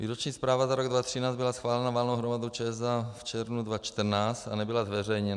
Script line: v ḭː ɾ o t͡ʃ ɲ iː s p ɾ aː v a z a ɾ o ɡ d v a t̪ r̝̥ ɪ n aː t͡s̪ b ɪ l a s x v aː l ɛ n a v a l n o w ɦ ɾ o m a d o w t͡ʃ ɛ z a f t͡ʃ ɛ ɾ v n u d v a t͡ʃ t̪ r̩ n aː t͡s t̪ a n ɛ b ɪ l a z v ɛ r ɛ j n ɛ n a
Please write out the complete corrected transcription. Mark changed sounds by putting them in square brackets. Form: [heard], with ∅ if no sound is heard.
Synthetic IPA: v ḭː ɾ o t͡ʃ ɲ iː s p ɾ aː v a z a ɾ o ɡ d v a t̪ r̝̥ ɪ n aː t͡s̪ b ɪ l a s x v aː l ɛ n a v a l n o w ɦ ɾ o m a d o w t͡ʃ ɛ z a f t͡ʃ ɛ ɾ v n u d v a t͡ʃ t̪ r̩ n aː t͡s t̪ a n ɛ b ɪ l a z v ɛ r ɛ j [ɲ] ɛ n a

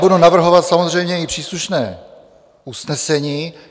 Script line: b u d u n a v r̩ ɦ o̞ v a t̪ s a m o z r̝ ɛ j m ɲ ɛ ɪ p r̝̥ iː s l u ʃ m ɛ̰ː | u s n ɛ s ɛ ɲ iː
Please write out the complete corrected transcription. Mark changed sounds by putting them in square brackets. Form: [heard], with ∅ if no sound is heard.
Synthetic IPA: b u d u n a v r̩ ɦ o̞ v a t̪ s a m o z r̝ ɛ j m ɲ ɛ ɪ p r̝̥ iː s l u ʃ [n] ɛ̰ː | u s n ɛ s ɛ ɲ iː

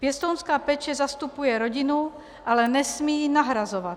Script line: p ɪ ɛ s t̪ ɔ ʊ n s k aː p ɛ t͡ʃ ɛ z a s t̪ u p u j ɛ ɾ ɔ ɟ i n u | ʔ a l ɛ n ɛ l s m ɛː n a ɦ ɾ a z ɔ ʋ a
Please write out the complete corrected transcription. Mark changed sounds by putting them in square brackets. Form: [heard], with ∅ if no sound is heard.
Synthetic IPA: p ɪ ɛ s t̪ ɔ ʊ n s k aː p ɛ t͡ʃ ɛ z a s t̪ u p u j ɛ ɾ ɔ ɟ i n u | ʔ a l ɛ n ɛ [∅] s m [iː] n a ɦ ɾ a z ɔ ʋ a

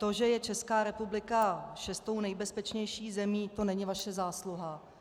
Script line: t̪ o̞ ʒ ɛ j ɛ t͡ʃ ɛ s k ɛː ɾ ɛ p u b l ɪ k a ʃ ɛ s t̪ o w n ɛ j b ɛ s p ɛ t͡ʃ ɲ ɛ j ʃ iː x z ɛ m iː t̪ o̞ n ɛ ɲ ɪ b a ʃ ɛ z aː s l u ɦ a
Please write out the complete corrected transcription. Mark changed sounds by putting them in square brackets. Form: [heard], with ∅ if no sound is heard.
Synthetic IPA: t̪ o̞ ʒ ɛ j ɛ t͡ʃ ɛ s k [aː] ɾ ɛ p u b l ɪ k a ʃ ɛ s t̪ o w n ɛ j b ɛ s p ɛ t͡ʃ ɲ ɛ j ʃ iː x z ɛ m iː t̪ o̞ n ɛ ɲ ɪ [v] a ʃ ɛ z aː s l u ɦ a

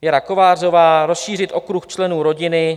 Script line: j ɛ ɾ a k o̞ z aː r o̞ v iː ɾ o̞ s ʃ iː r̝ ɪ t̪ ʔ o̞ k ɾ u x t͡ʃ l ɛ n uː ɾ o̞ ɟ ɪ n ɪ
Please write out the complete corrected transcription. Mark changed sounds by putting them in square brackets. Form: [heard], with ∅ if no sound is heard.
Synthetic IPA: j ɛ ɾ a k o̞ [v] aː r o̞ v [aː] ɾ o̞ s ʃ iː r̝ ɪ t̪ ʔ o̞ k ɾ u x t͡ʃ l ɛ n uː ɾ o̞ ɟ ɪ n ɪ

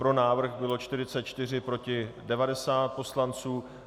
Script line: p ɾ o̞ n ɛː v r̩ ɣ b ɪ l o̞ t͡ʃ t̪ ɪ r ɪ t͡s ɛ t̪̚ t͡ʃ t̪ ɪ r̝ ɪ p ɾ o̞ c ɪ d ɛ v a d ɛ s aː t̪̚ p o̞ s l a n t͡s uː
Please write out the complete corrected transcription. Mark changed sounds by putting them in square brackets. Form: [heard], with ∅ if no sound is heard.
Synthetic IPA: p ɾ o̞ n [aː] v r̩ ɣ b ɪ l o̞ t͡ʃ t̪ ɪ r ɪ t͡s ɛ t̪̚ t͡ʃ t̪ ɪ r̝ ɪ p ɾ o̞ c ɪ d ɛ v a d ɛ s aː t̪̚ p o̞ s l a n t͡s uː

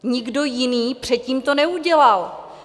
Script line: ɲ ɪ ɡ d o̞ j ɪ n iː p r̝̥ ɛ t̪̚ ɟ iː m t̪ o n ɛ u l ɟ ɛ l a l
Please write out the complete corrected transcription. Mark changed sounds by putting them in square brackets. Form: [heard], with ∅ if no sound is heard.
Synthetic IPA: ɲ ɪ ɡ d o̞ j ɪ n iː p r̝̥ ɛ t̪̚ [c] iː m t̪ o n ɛ u [∅] ɟ ɛ l a l

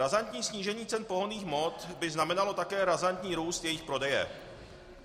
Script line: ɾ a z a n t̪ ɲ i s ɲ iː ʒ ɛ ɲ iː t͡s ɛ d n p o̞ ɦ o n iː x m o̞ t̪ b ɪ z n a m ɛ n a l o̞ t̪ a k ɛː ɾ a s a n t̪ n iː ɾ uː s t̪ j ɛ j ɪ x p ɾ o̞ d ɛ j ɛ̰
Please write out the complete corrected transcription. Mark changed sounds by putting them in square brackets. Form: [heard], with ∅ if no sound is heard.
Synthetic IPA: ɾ a z a n t̪ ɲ [iː] s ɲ iː ʒ ɛ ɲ iː t͡s ɛ [∅] n p o̞ ɦ o n iː x m o̞ t̪ b ɪ z n a m ɛ n a l o̞ t̪ a k ɛː ɾ a [z] a n t̪ [ɲ] iː ɾ uː s t̪ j ɛ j ɪ x p ɾ o̞ d ɛ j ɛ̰

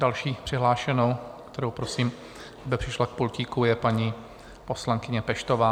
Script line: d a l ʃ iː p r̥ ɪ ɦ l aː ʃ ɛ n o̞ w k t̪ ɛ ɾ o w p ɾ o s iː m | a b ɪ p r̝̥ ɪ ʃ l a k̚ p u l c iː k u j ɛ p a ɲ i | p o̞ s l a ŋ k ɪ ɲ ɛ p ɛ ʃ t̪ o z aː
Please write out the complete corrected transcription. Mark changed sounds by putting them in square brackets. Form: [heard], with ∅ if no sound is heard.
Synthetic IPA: d a l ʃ iː p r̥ ɪ ɦ l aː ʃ ɛ n o̞ w k t̪ ɛ ɾ o w p ɾ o s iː m | a b ɪ p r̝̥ ɪ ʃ l a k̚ p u l c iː k u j ɛ p a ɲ i | p o̞ s l a ŋ k ɪ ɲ ɛ p ɛ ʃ t̪ o [v] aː

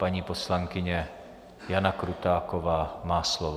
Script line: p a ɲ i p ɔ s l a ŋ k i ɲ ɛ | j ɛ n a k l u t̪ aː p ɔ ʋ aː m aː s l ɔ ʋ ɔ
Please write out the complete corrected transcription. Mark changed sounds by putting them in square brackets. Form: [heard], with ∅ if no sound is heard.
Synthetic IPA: p a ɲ i p ɔ s l a ŋ k i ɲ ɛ | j [a] n a k [ɾ] u t̪ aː [k] ɔ ʋ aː m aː s l ɔ ʋ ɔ

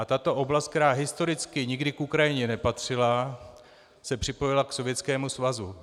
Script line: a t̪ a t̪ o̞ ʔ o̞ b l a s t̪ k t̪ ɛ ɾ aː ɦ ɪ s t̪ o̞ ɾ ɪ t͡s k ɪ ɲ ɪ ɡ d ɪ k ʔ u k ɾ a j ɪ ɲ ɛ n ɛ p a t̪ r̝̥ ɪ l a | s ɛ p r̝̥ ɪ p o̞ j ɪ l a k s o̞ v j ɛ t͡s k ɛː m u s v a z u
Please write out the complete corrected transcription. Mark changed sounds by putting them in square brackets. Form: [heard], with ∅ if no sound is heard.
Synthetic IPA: a t̪ a t̪ o̞ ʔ o̞ b l a s t̪ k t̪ ɛ ɾ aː ɦ ɪ s t̪ o̞ ɾ ɪ t͡s k ɪ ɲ ɪ ɡ d ɪ k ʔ u k ɾ a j ɪ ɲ ɛ n ɛ p a t̪ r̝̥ ɪ l a | s ɛ p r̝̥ ɪ p o̞ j ɪ l a k s o̞ v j ɛ t͡s k ɛː m u s v a z u

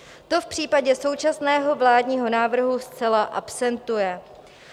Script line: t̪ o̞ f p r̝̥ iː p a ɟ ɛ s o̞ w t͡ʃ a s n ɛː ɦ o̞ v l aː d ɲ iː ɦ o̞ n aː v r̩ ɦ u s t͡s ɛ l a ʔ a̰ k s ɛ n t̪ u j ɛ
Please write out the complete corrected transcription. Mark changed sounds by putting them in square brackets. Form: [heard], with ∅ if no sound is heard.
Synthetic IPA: t̪ o̞ f p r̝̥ iː p a ɟ ɛ s o̞ w t͡ʃ a s n ɛː ɦ o̞ v l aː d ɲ iː ɦ o̞ n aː v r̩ ɦ u s t͡s ɛ l a ʔ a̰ [p] s ɛ n t̪ u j ɛ

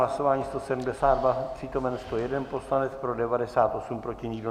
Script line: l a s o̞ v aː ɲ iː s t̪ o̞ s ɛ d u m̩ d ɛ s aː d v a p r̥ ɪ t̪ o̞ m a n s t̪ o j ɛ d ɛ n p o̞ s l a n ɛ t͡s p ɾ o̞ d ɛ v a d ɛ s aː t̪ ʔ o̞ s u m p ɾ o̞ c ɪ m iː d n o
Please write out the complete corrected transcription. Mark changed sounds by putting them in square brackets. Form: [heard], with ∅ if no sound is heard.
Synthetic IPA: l a s o̞ v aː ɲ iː s t̪ o̞ s ɛ d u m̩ d ɛ s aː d v a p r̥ [i] t̪ o̞ m [ɛ] n s t̪ o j ɛ d ɛ n p o̞ s l a n ɛ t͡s p ɾ o̞ d ɛ v a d ɛ s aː t̪ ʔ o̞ s u m p ɾ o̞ c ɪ [ɲ] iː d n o

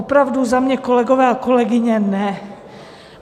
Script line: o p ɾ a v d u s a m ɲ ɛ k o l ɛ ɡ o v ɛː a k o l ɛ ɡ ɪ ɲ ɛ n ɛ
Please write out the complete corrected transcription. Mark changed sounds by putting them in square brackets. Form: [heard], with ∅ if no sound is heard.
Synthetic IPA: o p ɾ a v d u [z] a m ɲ ɛ k o l ɛ ɡ o v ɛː a k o l ɛ ɡ ɪ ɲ ɛ n ɛ

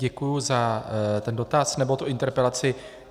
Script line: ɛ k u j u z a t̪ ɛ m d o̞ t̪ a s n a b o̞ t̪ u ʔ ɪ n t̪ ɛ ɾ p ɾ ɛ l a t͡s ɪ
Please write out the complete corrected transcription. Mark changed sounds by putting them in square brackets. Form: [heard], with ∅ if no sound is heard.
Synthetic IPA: ɛ k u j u z a t̪ ɛ [n] d o̞ t̪ a s n [ɛ] b o̞ t̪ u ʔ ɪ n t̪ ɛ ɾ p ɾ ɛ l a t͡s ɪ

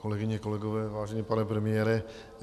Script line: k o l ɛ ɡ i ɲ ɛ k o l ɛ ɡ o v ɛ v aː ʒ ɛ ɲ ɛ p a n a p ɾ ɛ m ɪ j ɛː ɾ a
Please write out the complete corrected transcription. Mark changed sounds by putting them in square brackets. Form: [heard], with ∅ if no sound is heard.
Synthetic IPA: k o l ɛ ɡ [ɪ] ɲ ɛ k o l ɛ ɡ o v [ɛː] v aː ʒ ɛ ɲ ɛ p a n [ɛ] p ɾ ɛ m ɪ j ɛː ɾ [ɛ]

